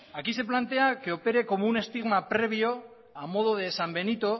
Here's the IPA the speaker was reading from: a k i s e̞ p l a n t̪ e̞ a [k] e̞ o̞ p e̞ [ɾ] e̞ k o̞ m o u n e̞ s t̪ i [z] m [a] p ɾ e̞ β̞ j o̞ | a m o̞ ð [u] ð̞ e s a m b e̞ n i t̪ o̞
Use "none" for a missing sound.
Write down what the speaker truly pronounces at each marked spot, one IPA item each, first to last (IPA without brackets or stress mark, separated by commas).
k, ɾ, ɣ, a, o